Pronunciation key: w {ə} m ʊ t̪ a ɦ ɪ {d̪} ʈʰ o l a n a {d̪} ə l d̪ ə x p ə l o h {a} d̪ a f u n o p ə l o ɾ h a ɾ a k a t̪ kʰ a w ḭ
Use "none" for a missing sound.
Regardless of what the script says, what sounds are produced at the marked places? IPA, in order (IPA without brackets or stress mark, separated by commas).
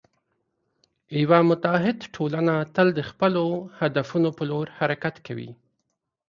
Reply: a, d̪, t̪, a